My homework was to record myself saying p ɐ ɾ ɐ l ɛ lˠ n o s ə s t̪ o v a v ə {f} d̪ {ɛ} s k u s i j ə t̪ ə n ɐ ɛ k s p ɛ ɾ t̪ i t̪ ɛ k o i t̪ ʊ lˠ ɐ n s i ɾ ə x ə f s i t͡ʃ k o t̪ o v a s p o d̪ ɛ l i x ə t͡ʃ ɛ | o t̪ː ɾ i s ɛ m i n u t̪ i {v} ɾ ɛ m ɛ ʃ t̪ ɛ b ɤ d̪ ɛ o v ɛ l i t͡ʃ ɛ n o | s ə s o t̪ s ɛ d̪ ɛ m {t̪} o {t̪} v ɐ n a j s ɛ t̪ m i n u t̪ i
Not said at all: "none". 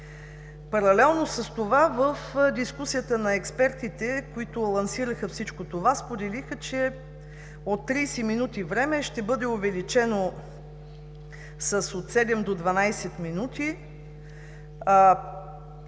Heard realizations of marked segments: f, i, v, d̪, d̪

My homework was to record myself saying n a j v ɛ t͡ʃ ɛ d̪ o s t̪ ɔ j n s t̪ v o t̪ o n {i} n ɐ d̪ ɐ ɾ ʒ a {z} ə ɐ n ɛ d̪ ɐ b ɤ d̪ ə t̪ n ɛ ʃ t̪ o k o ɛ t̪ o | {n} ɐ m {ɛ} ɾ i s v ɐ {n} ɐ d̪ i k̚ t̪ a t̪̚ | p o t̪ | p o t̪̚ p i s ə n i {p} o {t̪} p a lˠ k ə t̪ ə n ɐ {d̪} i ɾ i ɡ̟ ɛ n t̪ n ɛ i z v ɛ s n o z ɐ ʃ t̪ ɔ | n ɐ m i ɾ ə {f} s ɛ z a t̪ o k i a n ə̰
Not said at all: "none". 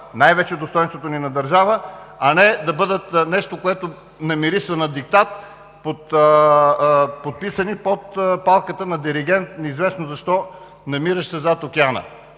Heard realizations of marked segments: i, v, n, i, n, p, t̪, d̪, ʃ

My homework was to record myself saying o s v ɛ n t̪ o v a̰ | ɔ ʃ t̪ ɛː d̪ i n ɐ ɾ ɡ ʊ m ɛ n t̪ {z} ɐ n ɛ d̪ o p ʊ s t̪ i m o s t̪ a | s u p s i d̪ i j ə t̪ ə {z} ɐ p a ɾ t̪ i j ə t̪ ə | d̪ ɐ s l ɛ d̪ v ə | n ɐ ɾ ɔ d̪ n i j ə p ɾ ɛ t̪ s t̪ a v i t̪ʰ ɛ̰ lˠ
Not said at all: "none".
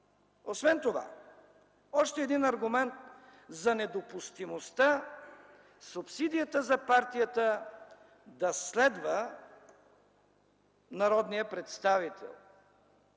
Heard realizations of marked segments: z, z

